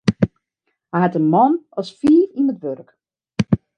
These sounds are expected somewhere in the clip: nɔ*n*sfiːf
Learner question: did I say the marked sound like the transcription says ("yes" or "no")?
no